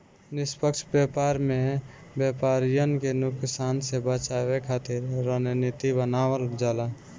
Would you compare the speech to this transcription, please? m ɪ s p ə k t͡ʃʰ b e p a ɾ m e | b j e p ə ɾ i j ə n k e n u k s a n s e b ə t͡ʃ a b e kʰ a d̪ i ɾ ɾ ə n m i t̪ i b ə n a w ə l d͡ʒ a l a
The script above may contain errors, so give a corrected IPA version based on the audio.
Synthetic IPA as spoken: n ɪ s p ə k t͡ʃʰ b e p a ɾ m e | b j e p a ɾ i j ə n k e n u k s a n s e b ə t͡ʃ a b e kʰ a t̪ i ɾ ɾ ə n n i t̪ i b ə n a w ə l d͡ʒ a l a